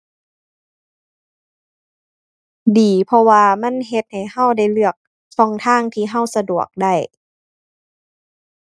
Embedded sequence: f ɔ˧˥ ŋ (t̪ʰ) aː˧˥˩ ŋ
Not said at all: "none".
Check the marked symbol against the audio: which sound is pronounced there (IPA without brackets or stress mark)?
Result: t̪ʰ